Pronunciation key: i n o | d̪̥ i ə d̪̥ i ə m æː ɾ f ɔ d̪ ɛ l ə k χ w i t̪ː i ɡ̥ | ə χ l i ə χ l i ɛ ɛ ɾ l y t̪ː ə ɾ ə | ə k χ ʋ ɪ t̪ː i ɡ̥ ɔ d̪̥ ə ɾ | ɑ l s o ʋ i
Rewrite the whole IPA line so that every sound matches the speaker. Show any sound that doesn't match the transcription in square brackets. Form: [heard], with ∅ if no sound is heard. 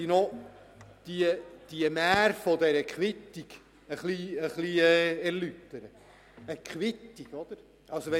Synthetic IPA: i n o | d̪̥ i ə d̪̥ i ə m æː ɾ f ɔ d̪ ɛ [ɾ] ə k χ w [ɪ] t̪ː i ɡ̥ | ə χ l i ə χ l i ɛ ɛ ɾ l y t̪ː ə ɾ ə | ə k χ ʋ ɪ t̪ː i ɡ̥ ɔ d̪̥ ə ɾ | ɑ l s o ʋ [ɛ]